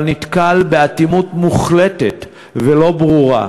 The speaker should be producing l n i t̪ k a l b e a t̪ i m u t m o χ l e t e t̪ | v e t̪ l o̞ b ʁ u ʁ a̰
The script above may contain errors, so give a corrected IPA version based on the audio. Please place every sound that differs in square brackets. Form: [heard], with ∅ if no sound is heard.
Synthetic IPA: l n i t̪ k a l b e a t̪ i m u t m [u] χ l e t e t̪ | v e [∅] l o̞ b ʁ u ʁ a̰